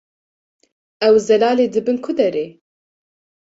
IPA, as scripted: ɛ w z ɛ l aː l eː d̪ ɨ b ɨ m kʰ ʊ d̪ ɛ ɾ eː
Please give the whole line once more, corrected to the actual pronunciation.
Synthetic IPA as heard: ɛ w z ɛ l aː l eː d̪ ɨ b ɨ n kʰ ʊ d̪ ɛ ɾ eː